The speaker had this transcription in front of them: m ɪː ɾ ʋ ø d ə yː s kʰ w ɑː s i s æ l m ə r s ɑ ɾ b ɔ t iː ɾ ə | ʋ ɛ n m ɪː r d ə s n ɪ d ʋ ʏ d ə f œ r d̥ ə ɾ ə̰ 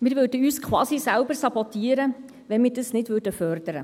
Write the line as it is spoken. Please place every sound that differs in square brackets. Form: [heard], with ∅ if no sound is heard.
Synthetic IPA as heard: m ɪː ɾ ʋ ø d ə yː s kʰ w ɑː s i s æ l [b] ə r s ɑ [∅] b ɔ t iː ɾ ə | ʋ ɛ n m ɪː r d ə s n ɪ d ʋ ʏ d ə f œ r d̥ ə ɾ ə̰